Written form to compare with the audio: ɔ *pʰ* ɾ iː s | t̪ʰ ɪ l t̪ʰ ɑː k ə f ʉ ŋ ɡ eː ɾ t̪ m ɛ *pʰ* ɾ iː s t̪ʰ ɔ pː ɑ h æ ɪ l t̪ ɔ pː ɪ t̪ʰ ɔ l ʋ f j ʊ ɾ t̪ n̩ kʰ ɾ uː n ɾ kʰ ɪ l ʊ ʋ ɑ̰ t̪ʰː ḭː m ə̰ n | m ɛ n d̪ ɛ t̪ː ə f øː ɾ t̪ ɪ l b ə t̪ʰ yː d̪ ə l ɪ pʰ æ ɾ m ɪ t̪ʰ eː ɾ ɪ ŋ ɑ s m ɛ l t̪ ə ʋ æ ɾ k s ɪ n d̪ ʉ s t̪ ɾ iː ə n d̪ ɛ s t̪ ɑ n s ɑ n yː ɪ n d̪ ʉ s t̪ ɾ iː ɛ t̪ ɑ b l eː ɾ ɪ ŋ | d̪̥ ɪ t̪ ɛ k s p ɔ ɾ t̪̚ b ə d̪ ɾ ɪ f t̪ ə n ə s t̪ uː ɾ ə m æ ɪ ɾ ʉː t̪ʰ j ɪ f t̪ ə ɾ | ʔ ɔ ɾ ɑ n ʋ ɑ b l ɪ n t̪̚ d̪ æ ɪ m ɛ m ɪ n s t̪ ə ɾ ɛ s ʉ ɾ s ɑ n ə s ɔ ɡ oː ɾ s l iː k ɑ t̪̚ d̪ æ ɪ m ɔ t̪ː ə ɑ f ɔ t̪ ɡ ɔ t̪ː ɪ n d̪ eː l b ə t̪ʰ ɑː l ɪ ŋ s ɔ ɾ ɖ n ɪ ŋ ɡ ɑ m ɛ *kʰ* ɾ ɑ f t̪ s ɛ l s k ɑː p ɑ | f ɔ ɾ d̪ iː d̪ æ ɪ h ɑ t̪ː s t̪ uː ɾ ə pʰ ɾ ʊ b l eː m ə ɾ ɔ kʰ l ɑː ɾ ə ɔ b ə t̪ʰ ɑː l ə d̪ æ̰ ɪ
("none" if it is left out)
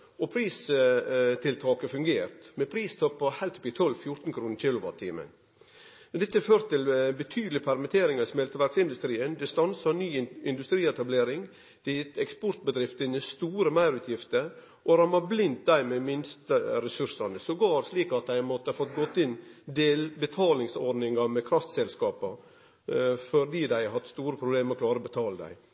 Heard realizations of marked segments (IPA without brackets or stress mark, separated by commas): pʰ, pʰ, kʰ